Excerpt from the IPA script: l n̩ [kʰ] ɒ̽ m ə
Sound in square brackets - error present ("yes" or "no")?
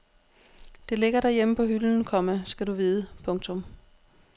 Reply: no